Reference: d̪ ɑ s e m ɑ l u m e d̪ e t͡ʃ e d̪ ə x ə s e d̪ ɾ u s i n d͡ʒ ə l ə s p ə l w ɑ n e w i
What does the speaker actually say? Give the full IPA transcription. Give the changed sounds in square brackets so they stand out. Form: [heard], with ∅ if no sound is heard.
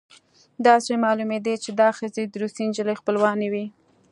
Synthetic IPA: d̪ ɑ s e m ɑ l u m e d̪ e t͡ʃ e d̪ [ɑ] x ə [z] e d̪ ɾ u s i n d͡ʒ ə l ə [x] p ə l w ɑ n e w i